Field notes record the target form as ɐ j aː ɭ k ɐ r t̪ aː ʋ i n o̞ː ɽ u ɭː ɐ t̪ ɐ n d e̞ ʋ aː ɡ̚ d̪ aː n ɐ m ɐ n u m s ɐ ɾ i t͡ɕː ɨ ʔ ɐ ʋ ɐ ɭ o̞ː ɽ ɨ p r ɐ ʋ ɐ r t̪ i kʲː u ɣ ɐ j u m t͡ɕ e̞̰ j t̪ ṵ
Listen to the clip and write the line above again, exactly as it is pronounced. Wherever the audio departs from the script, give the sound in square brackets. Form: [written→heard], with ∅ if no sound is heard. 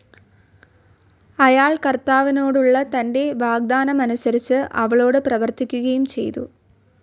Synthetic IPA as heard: ɐ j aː ɭ k ɐ r t̪ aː ʋ i n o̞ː ɽ u ɭː ɐ t̪ ɐ n d e̞ ʋ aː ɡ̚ d̪ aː n ɐ m ɐ n u [m→∅] s ɐ ɾ i t͡ɕː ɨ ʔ ɐ ʋ ɐ ɭ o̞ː ɽ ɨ p r ɐ ʋ ɐ r t̪ i kʲː u ɣ ɐ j u m t͡ɕ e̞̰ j t̪ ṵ

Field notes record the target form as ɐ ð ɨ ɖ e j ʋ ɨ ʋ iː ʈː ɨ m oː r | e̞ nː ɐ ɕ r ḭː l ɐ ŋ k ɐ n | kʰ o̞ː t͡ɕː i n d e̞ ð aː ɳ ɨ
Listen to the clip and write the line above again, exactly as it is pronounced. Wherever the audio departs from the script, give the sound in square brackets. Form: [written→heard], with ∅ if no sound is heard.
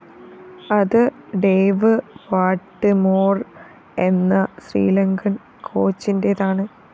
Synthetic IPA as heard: ɐ ð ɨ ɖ e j ʋ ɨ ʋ [iː→aː] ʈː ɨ m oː r | e̞ nː ɐ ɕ r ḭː l ɐ ŋ [k→ɡ] ɐ n | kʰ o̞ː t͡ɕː i n d e̞ ð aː ɳ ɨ

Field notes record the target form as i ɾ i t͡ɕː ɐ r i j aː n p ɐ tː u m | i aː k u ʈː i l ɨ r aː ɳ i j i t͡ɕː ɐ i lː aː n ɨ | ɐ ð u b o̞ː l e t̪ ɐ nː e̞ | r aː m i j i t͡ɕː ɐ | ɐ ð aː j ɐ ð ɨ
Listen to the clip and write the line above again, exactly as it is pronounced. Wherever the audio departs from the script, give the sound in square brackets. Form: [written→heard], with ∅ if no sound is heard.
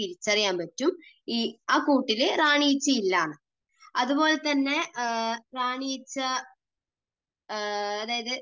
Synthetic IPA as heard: i ɾ i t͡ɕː ɐ r i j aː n p ɐ tː u m | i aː k [u→uː] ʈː i l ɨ r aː ɳ i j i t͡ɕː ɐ i lː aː [n→ɳ] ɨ | ɐ ð u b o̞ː l e t̪ ɐ nː e̞ | r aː [m→ɳ] i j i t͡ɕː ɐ | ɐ ð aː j ɐ ð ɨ

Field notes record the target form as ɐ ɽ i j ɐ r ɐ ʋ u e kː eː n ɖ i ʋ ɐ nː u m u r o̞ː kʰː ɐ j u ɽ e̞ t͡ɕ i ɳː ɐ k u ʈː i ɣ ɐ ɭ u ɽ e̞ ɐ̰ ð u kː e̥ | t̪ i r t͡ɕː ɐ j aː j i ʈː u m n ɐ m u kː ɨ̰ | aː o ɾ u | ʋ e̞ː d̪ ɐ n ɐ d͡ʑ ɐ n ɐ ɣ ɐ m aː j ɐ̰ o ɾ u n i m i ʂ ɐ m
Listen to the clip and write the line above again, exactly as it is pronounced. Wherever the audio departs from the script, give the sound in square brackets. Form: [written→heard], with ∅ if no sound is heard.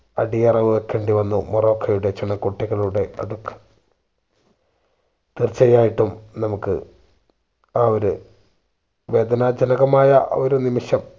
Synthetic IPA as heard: ɐ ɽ i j ɐ r ɐ ʋ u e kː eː [n→ɳ] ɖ i ʋ ɐ nː u m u r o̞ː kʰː ɐ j u ɽ e̞ t͡ɕ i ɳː ɐ k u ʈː i ɣ ɐ ɭ u ɽ e̞ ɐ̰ ð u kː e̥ | t̪ i r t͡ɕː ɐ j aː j i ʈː u m n ɐ m u kː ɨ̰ | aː o ɾ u | ʋ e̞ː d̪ ɐ n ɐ d͡ʑ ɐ n ɐ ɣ ɐ m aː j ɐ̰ o ɾ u n i m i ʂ ɐ m

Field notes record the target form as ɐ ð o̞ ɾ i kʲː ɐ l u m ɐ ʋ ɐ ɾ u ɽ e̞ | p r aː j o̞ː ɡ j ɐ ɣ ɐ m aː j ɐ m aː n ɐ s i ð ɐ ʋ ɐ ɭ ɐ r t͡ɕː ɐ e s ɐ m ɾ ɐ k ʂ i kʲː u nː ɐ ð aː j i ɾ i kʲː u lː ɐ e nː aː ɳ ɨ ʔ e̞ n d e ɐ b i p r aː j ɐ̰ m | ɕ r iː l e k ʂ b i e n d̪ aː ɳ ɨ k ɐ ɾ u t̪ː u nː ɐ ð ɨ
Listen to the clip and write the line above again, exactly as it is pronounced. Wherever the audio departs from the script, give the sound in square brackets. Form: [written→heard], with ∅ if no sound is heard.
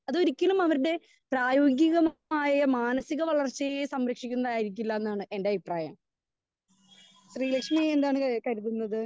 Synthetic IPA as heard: ɐ ð o̞ ɾ i kʲː ɐ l u m ɐ ʋ ɐ ɾ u ɽ e̞ | p r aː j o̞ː ɡ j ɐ ɣ ɐ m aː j ɐ m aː n ɐ s i [ð→ɣ] ɐ ʋ ɐ ɭ ɐ r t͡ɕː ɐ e s ɐ m ɾ ɐ k ʂ i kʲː u nː ɐ ð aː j i ɾ i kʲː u lː ɐ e nː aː ɳ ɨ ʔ e̞ n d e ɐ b i p r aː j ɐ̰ m | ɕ r iː l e k ʂ [b→m] i e n d̪ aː ɳ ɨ k ɐ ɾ u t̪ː u nː ɐ ð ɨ

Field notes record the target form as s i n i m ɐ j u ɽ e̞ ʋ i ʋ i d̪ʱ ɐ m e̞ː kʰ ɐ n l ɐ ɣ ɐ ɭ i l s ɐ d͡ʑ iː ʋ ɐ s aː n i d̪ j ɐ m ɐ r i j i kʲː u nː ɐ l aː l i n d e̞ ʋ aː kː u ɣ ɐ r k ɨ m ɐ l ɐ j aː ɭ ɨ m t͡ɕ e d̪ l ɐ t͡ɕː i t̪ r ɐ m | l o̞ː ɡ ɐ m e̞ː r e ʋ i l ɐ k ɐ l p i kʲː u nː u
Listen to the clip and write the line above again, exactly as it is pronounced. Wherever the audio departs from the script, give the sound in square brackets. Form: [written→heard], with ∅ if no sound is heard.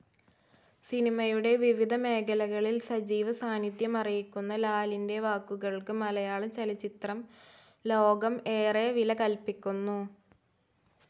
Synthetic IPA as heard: s i n i m ɐ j u ɽ e̞ ʋ i ʋ i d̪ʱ ɐ m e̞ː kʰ ɐ [n→∅] l ɐ ɣ ɐ ɭ i l s ɐ d͡ʑ iː ʋ ɐ s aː n i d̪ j ɐ m ɐ r i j i kʲː u nː ɐ l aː l i n d e̞ ʋ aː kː u ɣ ɐ [r→ɭ] k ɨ m ɐ l ɐ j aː ɭ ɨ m t͡ɕ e [d̪→∅] l ɐ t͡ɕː i t̪ r ɐ m | l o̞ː ɡ ɐ m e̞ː r e ʋ i l ɐ k ɐ l p i kʲː u nː u

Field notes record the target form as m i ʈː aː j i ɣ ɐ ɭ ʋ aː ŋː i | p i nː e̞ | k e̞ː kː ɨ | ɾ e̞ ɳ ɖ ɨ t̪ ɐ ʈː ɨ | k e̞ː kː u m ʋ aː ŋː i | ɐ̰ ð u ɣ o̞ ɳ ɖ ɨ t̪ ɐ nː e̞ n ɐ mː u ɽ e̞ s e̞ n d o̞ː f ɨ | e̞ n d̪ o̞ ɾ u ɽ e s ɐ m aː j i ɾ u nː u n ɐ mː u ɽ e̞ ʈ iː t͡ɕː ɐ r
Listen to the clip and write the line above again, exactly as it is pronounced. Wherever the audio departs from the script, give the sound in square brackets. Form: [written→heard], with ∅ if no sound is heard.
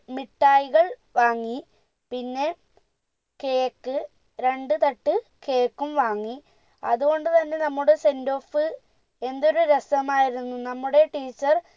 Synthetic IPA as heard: m i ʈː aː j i ɣ ɐ ɭ ʋ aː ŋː i | p i nː e̞ | k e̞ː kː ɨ | ɾ e̞ ɳ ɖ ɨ t̪ ɐ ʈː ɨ | k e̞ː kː u m ʋ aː ŋː i | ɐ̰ ð u ɣ o̞ ɳ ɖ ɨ t̪ ɐ nː e̞ n ɐ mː u ɽ e̞ s e̞ n d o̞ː f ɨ | e̞ n d̪ o̞ ɾ u [ɽ→ɾ] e s ɐ m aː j i ɾ u nː u n ɐ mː u ɽ e̞ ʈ iː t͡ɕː ɐ r

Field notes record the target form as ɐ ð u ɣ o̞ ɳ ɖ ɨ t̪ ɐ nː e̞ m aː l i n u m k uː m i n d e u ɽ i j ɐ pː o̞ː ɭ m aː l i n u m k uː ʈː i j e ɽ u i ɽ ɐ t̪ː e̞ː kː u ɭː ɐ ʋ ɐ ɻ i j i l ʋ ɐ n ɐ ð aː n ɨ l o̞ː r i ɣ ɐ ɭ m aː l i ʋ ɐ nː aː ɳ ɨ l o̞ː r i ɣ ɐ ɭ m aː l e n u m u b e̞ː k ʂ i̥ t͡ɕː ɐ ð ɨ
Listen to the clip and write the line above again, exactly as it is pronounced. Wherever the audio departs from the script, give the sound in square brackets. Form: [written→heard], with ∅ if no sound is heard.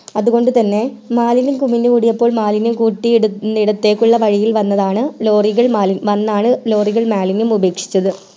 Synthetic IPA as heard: ɐ ð u ɣ o̞ ɳ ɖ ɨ t̪ ɐ nː e̞ m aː l i n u m k [uː→u] m i n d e u ɽ i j ɐ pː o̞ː ɭ m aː l i n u m k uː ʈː i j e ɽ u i ɽ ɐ t̪ː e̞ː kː u ɭː ɐ ʋ ɐ ɻ i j i l ʋ ɐ [n→nː] ɐ ð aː [n→ɳ] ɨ l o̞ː r i ɣ ɐ ɭ m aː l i ʋ ɐ nː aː ɳ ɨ l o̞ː r i ɣ ɐ ɭ m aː l [e→i] n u m u b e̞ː k ʂ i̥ t͡ɕː ɐ ð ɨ

